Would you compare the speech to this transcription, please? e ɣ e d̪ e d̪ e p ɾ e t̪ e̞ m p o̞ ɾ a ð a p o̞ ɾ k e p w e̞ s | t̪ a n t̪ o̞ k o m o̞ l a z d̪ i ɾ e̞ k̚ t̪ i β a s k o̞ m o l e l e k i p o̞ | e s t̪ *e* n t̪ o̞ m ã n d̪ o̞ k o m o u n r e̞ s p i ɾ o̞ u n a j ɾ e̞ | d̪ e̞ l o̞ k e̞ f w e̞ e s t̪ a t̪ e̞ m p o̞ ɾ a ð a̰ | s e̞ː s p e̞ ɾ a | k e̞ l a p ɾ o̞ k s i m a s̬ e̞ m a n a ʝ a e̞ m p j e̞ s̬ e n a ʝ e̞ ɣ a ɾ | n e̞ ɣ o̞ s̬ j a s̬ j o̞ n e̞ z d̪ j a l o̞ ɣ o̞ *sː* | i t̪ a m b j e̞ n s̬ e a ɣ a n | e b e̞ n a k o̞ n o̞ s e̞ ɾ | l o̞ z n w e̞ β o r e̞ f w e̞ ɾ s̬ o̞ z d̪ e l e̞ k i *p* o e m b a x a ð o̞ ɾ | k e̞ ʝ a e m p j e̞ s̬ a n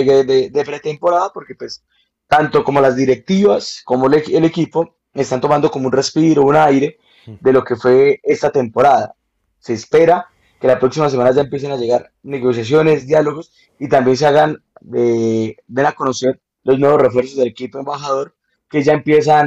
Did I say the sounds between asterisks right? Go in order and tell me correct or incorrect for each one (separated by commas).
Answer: incorrect, incorrect, correct